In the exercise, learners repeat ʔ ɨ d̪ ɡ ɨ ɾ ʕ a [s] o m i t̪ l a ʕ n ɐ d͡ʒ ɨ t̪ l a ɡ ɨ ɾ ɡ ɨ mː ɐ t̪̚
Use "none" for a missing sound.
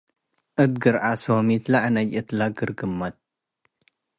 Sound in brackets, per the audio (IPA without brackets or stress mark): s